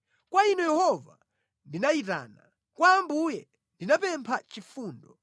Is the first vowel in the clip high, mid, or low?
low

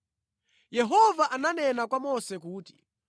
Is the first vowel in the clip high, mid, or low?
mid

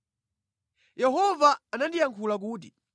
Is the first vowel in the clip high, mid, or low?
mid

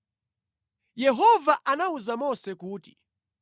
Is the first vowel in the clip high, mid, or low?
mid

